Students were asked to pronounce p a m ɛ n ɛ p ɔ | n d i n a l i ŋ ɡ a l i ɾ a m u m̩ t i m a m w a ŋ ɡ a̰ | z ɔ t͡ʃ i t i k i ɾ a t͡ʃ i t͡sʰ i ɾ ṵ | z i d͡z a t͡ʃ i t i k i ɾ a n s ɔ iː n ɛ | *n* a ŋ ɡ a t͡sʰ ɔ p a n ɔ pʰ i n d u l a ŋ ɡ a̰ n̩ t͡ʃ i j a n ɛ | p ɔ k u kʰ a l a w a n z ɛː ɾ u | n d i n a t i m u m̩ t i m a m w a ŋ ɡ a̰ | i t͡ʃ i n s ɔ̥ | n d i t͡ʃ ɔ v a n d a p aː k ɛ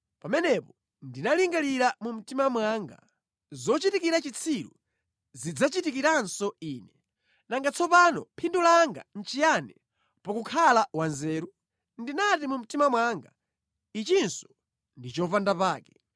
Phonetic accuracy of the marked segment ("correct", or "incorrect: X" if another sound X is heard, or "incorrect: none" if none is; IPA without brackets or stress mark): correct